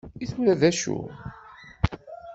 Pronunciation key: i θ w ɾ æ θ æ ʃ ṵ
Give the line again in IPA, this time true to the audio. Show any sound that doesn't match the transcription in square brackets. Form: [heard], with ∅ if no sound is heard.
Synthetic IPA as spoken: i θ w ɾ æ [ð] æ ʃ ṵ